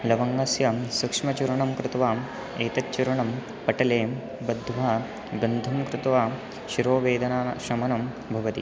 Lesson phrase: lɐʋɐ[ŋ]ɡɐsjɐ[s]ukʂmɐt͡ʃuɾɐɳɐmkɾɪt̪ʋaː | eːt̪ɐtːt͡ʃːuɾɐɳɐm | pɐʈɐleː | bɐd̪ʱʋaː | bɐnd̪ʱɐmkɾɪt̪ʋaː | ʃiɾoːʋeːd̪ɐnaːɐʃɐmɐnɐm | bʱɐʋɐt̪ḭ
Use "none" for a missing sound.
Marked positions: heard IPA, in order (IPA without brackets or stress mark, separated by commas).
ŋ, s